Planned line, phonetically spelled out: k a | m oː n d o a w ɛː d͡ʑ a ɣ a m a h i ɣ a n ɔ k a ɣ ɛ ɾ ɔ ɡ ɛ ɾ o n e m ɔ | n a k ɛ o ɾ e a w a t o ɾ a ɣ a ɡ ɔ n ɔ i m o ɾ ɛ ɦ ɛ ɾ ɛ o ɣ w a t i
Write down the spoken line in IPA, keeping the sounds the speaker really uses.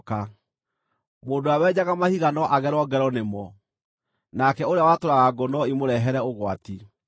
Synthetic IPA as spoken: k a | m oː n d o a w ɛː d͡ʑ a ɣ a m a h i ɣ a n ɔ ʔ a ɣ ɛ ɾ ɔ ɡ ɛ ɾ ɔ n e m ɔ | n a k ɛ o ɾ e a w a t o ɾ a ɣ a ɡ ɔ n ɔ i m o ɾ ɛ ɦ ɛ ɾ ɛ o ɣ w a t i